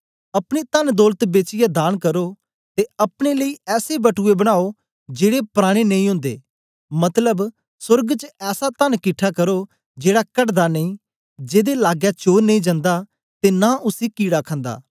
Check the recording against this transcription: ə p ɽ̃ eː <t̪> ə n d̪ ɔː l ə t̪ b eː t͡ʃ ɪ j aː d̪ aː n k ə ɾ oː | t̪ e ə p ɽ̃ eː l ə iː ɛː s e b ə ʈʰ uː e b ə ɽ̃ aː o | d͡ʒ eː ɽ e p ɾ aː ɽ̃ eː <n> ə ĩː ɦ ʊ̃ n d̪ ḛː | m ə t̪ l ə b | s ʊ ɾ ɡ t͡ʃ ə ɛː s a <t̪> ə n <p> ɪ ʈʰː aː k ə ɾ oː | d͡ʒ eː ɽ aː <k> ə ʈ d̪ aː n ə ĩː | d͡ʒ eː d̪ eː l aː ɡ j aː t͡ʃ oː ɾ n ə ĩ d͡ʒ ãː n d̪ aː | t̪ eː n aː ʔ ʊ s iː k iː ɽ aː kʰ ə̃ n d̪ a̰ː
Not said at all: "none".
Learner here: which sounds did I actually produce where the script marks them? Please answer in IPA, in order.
t̪, n, t̪, k, k

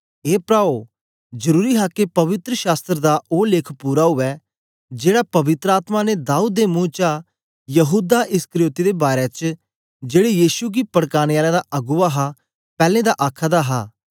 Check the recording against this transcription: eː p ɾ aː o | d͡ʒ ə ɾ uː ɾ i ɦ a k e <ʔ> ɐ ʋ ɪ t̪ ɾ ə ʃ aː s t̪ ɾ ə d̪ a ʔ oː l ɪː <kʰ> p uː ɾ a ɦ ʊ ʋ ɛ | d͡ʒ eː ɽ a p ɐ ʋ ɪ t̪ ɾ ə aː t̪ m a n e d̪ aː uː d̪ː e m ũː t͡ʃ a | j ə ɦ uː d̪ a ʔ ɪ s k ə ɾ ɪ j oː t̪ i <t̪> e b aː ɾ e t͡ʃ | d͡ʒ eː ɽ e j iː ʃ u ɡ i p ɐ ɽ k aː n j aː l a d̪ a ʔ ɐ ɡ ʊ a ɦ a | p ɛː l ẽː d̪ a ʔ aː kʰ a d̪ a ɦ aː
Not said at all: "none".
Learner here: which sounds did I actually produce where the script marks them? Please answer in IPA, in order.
p, kʰ, d̪

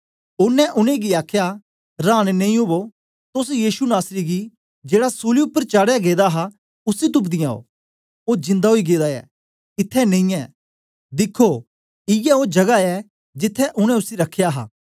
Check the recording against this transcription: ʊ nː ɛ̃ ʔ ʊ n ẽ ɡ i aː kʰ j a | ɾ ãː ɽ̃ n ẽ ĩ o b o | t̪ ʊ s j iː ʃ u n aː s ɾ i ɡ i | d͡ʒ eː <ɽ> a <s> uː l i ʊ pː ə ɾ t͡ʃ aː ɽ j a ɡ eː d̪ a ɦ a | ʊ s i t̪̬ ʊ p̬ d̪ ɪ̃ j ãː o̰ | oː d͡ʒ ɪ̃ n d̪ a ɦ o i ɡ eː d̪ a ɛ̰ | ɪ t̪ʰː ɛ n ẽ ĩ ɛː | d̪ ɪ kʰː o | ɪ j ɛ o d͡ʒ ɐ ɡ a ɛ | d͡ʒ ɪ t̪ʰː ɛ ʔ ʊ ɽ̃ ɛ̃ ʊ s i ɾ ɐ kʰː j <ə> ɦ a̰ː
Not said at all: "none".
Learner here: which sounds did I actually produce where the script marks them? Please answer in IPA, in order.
ɽ, s, a

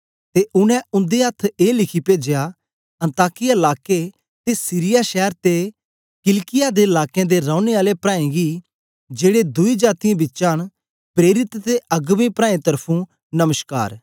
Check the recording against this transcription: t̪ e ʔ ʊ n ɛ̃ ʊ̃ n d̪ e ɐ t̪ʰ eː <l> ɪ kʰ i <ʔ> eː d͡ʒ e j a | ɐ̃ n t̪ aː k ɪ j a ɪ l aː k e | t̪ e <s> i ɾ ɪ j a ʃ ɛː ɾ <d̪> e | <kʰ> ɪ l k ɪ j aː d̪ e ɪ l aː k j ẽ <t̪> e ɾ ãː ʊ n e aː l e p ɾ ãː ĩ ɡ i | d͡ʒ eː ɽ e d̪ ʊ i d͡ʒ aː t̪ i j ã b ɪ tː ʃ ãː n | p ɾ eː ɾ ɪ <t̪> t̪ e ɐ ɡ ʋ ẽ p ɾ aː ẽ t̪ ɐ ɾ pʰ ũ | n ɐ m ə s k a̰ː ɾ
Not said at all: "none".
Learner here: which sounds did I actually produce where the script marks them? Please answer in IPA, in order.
l, p, s, t̪, k, d̪, t̪

